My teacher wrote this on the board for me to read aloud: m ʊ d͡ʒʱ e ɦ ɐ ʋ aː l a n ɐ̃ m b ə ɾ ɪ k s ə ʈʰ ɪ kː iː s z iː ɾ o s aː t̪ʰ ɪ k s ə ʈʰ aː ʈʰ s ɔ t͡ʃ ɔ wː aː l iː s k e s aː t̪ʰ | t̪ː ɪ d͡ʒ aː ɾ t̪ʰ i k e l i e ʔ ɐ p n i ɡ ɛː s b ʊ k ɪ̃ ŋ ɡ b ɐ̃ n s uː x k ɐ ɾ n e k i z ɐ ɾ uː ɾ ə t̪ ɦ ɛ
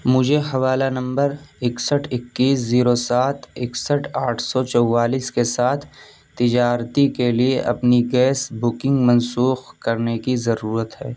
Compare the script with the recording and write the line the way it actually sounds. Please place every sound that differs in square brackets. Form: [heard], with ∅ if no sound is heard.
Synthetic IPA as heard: m ʊ d͡ʒʱ e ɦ ɐ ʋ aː l a n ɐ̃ m b ə ɾ ɪ k s ə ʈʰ ɪ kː iː s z iː ɾ o s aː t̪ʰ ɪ k s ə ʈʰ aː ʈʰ s ɔ t͡ʃ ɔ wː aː l iː s k e s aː t̪ʰ | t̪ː ɪ d͡ʒ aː ɾ [t̪] i k e l i e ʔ ɐ p n i ɡ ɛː s b ʊ k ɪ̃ ŋ ɡ [m] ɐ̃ n s uː x k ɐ ɾ n e k i z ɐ ɾ uː ɾ ə t̪ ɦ [ɛː]